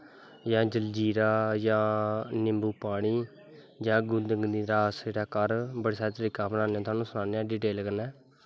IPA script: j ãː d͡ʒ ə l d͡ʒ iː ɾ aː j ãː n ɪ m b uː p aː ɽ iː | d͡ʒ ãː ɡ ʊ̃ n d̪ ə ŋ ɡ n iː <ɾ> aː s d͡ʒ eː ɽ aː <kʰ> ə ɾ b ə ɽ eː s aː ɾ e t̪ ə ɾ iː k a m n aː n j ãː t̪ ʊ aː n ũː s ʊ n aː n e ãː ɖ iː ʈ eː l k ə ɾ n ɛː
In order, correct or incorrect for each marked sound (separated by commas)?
correct, incorrect